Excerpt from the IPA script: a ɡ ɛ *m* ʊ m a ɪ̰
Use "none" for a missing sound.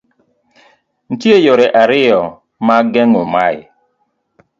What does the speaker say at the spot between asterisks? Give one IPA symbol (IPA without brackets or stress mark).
ŋ